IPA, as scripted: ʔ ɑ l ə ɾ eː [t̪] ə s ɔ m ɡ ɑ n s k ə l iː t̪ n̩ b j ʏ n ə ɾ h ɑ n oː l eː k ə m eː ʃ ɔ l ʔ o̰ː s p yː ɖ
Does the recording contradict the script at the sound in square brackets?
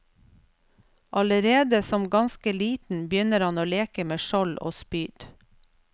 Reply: yes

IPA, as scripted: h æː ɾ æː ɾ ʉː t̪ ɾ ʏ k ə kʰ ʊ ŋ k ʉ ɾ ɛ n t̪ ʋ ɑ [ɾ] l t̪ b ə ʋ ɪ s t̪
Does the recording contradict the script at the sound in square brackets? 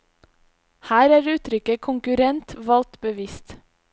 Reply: yes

